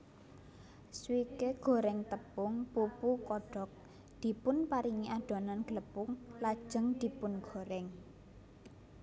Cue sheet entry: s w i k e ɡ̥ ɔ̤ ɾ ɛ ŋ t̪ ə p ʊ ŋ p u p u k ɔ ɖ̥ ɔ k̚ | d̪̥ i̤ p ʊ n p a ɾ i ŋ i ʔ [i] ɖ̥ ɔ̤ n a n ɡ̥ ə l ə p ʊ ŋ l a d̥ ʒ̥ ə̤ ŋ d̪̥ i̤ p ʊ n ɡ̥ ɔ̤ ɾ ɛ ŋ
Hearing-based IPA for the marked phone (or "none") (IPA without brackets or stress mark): a